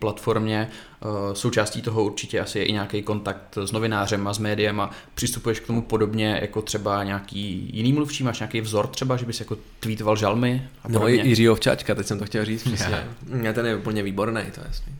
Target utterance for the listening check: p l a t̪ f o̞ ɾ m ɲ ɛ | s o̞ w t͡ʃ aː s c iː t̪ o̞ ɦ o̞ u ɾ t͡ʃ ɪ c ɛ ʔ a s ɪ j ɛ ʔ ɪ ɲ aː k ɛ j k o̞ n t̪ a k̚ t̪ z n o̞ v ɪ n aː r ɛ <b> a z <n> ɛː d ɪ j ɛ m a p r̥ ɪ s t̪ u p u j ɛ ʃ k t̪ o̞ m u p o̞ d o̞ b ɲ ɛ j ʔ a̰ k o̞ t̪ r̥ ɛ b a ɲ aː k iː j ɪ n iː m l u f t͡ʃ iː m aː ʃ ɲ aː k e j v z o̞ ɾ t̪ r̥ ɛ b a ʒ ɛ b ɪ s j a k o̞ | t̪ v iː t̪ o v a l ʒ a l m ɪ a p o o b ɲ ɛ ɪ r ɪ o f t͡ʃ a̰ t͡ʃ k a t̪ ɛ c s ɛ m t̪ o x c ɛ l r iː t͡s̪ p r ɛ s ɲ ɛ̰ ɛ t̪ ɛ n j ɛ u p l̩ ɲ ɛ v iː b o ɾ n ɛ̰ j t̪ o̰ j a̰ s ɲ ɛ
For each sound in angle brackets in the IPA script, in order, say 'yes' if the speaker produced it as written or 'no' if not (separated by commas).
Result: no, no